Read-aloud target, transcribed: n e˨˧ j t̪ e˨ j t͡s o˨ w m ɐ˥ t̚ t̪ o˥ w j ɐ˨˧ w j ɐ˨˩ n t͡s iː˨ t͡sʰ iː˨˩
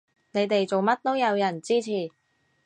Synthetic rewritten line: n e˨˧ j t̪ e˨ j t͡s o˨ w m ɐ˥ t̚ t̪ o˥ w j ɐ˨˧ w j ɐ˨˩ n t͡s iː˥ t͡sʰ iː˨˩